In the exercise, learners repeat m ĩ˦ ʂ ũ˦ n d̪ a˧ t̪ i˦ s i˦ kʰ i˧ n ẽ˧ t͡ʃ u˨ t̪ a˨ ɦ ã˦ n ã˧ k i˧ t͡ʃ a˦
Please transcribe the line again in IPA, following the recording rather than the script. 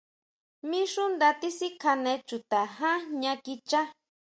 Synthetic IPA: m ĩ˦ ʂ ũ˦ n d̪ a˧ t̪ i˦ s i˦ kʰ a˧ n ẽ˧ t͡ʃ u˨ t̪ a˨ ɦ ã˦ ɲ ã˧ k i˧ t͡ʃ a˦